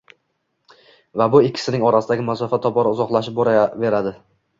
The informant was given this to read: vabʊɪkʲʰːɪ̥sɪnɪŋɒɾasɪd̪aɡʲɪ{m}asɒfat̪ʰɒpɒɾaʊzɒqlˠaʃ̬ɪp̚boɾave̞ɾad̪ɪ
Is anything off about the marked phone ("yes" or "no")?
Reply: no